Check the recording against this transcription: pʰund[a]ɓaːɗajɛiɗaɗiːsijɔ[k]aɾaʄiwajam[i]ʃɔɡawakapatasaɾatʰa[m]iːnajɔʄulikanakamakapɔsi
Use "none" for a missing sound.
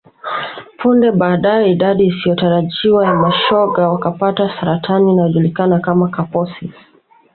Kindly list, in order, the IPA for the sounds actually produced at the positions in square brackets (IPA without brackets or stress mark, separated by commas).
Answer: ɛ, t, a, n